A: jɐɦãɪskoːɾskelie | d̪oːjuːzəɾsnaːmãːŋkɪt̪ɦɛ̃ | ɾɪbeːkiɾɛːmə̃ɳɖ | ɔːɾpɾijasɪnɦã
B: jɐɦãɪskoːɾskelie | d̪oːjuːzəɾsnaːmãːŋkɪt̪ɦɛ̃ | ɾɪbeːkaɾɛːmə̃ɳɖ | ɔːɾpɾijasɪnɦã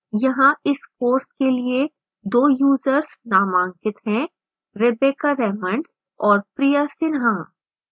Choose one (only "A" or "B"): B